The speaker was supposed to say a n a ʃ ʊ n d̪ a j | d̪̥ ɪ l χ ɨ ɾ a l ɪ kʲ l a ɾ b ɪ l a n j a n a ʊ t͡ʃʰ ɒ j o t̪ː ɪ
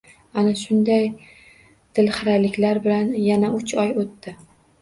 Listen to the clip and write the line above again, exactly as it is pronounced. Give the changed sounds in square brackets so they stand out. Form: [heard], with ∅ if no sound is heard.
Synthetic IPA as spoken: a n a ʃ ʊ n d̪ a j | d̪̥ ɪ l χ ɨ ɾ a l ɪ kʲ l a ɾ b ɪ l a n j a n a ʊ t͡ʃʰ ɒ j o t̪ː ɪ